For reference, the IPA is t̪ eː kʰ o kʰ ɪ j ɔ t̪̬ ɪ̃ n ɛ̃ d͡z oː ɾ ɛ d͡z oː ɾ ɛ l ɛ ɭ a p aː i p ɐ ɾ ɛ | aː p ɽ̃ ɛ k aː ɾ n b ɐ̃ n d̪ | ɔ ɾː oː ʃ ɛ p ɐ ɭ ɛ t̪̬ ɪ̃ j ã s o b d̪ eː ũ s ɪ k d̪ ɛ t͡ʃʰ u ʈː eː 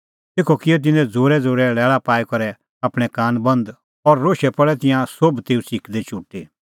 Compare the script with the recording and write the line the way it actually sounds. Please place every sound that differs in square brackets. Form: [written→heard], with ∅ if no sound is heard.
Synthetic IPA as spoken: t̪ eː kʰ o [kʰ→k] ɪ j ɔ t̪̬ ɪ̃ n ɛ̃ d͡z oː ɾ ɛ d͡z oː ɾ ɛ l [ɛ→ɛː] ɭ a p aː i [p→k] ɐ ɾ ɛ | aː p ɽ̃ ɛ k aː [ɾ→∅] n b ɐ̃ n d̪ | ɔ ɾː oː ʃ ɛ p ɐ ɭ ɛ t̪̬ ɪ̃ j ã s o b [d̪→t̪] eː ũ s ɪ k d̪ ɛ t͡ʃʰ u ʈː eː